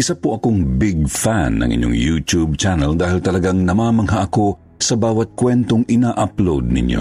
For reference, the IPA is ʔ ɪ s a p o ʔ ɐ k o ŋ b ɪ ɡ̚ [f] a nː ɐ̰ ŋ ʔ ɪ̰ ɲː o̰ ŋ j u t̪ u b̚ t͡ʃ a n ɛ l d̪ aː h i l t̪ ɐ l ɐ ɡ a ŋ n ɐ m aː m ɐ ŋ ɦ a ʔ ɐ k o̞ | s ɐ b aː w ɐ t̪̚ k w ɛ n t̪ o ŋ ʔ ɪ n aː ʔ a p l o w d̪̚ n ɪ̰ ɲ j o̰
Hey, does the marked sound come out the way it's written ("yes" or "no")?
yes